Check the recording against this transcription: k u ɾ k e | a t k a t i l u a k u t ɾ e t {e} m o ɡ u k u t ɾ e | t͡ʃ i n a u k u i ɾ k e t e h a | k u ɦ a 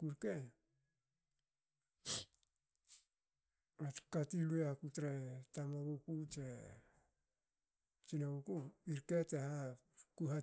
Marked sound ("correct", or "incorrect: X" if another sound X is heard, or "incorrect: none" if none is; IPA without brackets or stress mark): incorrect: a